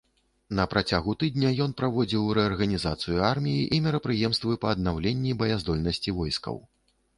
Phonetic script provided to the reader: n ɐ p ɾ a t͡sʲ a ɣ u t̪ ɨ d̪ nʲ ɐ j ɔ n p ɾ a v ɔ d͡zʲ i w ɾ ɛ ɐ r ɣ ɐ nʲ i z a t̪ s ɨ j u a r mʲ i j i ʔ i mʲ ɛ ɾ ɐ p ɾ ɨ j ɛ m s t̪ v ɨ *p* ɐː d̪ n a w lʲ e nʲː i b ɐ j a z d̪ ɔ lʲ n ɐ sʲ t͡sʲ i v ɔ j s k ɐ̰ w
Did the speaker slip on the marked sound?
no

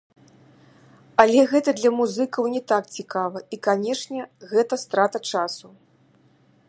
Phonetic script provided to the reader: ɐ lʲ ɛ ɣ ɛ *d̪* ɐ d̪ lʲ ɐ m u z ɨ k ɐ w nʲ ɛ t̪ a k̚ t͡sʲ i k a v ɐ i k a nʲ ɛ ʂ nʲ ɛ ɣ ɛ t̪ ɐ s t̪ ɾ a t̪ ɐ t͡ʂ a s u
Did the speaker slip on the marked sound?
yes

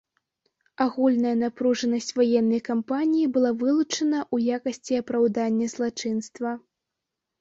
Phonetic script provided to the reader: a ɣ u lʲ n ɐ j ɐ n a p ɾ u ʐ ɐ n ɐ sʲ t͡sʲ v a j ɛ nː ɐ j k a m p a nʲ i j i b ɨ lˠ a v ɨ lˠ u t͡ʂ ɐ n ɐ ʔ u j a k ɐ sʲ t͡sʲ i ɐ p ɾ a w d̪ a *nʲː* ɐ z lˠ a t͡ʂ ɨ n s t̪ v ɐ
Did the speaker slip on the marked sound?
no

